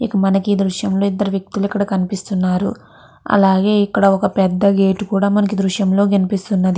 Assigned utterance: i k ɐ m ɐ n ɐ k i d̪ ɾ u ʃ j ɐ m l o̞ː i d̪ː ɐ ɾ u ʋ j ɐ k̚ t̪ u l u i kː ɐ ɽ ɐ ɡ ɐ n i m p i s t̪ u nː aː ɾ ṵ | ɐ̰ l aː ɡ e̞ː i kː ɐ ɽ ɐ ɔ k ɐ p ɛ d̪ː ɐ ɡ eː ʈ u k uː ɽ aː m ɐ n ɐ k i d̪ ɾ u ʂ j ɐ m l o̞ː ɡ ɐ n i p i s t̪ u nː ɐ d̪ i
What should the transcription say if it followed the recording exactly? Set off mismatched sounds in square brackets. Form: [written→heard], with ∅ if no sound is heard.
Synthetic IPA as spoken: i k ɐ m ɐ n ɐ k i d̪ ɾ u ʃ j ɐ m l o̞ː i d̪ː ɐ ɾ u ʋ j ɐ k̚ t̪ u l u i kː ɐ ɽ ɐ [ɡ→k] ɐ n i [m→∅] p i s t̪ u nː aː ɾ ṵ | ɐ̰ l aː ɡ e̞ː i kː ɐ ɽ ɐ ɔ k ɐ p ɛ d̪ː ɐ ɡ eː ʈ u k uː ɽ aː m ɐ n ɐ k i d̪ ɾ u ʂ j ɐ m l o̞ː ɡ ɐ n i p i s t̪ u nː ɐ d̪ i